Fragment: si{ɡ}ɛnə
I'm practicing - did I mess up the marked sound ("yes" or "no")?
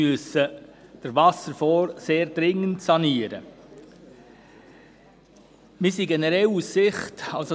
no